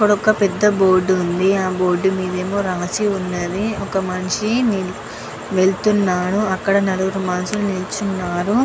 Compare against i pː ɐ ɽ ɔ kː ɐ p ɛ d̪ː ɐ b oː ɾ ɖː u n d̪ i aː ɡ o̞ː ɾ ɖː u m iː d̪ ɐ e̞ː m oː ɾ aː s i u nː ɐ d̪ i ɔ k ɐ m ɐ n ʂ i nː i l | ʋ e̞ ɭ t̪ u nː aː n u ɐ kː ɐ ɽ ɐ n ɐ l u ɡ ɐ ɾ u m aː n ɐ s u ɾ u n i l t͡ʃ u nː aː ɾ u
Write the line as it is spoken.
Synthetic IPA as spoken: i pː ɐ ɽ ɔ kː ɐ p ɛ d̪ː ɐ b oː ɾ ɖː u n d̪ i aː b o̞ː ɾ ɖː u m iː d̪ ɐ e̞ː m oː ɾ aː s i u nː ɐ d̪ i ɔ k ɐ m ɐ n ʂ i n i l | ʋ e̞ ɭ t̪ u nː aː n u ɐ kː ɐ ɽ ɐ n ɐ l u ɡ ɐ ɾ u m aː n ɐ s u l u n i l t͡ʃ u nː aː ɾ u

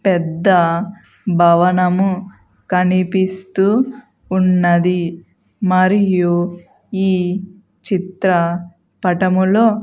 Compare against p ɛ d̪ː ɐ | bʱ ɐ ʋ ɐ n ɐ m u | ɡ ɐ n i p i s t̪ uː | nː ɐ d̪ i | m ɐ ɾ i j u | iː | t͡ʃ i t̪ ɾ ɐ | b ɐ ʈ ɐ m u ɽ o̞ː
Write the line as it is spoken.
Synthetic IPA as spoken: p ɛ d̪ː ɐ | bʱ ɐ ʋ ɐ n ɐ m u | k ɐ n i p i s t̪ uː | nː ɐ d̪ i | m ɐ ɾ i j u | iː | t͡ʃ i t̪ ɾ ɐ | p ɐ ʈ ɐ m u l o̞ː

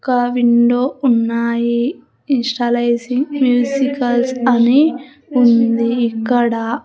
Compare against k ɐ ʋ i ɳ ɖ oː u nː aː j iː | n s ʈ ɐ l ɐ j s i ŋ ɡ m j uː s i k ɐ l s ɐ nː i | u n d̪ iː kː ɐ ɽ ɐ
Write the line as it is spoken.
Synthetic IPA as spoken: k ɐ ʋ i ɳ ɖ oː u nː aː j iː | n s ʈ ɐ l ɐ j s i ŋ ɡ m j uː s i k ɐ l s ɐ n i | u n d̪ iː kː ɐ ɽ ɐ

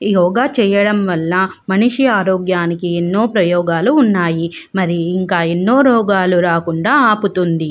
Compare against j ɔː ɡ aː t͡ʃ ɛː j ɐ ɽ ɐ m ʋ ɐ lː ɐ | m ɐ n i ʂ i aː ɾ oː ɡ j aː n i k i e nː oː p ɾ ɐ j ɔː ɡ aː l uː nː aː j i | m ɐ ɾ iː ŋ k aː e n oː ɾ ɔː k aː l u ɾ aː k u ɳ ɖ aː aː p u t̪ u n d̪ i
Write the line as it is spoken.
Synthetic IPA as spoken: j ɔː ɡ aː t͡ʃ ɛː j ɐ ɽ ɐ m ʋ ɐ lː ɐ | m ɐ n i ʂ i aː ɾ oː ɡ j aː n i k i e nː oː p ɾ ɐ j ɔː ɡ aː l uː nː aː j i | m ɐ ɾ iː ŋ k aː e nː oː ɾ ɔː ɡ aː l u ɾ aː k u ɳ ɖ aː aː p u t̪ u n d̪ i

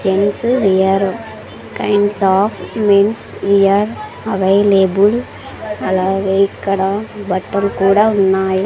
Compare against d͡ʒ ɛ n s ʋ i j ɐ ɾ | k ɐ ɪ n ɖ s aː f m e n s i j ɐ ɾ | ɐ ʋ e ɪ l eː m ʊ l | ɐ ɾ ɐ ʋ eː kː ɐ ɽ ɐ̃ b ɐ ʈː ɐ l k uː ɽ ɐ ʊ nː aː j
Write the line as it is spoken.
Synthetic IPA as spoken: d͡ʒ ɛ n s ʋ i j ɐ ɾ | k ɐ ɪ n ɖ s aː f m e n s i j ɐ ɾ | ɐ ʋ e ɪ l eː b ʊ l | ɐ l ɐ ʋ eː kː ɐ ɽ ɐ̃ b ɐ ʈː ɐ l k uː ɽ ɐ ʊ nː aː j

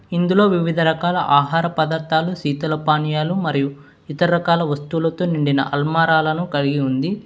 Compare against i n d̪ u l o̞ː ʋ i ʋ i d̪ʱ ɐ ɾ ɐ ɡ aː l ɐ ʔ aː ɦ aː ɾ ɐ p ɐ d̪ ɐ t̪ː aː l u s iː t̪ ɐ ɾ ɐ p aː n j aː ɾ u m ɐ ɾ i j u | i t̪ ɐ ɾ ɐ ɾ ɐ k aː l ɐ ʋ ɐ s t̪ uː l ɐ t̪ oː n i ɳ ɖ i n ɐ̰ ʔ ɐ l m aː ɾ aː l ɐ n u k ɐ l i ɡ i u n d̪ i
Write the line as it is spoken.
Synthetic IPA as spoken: i n d̪ u l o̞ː ʋ i ʋ i d̪ʱ ɐ ɾ ɐ k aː l ɐ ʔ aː ɦ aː ɾ ɐ p ɐ d̪ ɐ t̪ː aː l u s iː t̪ ɐ l ɐ p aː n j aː l u m ɐ ɾ i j u | i t̪ ɐ ɾ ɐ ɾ ɐ k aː l ɐ ʋ ɐ s t̪ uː l ɐ t̪ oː n i ɳ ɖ i n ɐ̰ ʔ ɐ l m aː ɾ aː l ɐ n u k ɐ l i ɡ i u n d̪ i

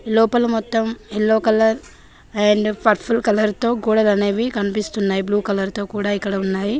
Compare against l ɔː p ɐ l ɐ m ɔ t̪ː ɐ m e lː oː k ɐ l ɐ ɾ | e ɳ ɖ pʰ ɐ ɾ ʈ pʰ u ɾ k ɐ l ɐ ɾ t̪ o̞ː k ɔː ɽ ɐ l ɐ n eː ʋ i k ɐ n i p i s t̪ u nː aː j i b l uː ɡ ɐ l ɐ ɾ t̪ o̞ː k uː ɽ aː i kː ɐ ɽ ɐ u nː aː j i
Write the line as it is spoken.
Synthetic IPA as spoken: l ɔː p ɐ l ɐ m ɔ t̪ː ɐ m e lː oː k ɐ l ɐ ɾ | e ɳ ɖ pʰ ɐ ɾ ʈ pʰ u l k ɐ l ɐ ɾ t̪ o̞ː k uː ɽ ɐ l ɐ n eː ʋ i k ɐ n i p i s t̪ u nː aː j i b l uː k ɐ l ɐ ɾ t̪ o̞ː k uː ɽ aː i kː ɐ ɽ ɐ u nː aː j i

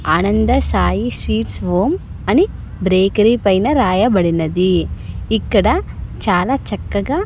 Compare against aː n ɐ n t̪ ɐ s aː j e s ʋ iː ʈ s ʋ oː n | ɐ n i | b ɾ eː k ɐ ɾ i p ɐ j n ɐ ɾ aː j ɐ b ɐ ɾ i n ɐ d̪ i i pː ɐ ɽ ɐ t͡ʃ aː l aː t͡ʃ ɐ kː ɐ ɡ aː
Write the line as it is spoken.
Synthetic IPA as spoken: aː n ɐ n d̪ ɐ s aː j i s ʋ iː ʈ s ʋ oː m | ɐ n i | b ɾ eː k ɐ ɾ i p ɐ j n ɐ ɾ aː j ɐ b ɐ ɽ i n ɐ d̪ i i kː ɐ ɽ ɐ t͡ʃ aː l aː t͡ʃ ɐ kː ɐ ɡ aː

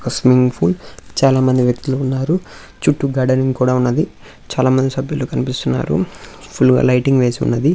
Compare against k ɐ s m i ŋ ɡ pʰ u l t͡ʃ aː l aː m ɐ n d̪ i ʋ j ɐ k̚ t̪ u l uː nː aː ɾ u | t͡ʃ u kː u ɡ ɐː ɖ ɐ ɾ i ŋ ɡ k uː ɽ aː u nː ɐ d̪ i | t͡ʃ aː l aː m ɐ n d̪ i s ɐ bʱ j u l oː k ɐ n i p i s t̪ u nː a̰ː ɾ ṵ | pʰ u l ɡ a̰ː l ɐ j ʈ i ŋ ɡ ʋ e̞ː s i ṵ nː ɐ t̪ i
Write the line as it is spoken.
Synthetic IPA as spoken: k ɐ s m i ŋ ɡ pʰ u l t͡ʃ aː l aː m ɐ n d̪ i ʋ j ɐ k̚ t̪ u l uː nː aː ɾ u | t͡ʃ u ʈː u ɡ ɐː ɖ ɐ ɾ i ŋ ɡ k uː ɽ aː u nː ɐ d̪ i | t͡ʃ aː l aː m ɐ n d̪ i s ɐ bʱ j u l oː k ɐ n i p i s t̪ u nː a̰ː ɾ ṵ | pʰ u l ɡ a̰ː l ɐ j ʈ i ŋ ɡ ʋ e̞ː s i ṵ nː ɐ d̪ i

